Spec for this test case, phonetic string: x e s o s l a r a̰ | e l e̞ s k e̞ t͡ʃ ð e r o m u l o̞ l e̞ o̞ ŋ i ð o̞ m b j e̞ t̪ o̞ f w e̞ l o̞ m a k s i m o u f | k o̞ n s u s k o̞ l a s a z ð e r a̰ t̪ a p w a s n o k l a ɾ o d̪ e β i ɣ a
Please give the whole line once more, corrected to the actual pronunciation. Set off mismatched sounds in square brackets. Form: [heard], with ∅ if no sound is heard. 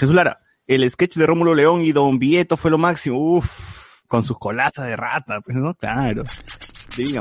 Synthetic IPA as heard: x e s [u] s l a [ɾ] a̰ | e l e̞ s k e̞ t͡ʃ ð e r o m u l o̞ l e̞ o̞ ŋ i ð o̞ m b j e̞ t̪ o̞ f w e̞ l o̞ m a k s i m o u f | k o̞ n s u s k o̞ l a s a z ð e r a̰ t̪ a p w [e] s n o k l a ɾ o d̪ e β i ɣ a